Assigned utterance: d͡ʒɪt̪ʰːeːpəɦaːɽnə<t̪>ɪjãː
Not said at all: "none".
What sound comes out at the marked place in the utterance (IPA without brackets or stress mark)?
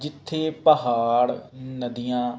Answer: d̪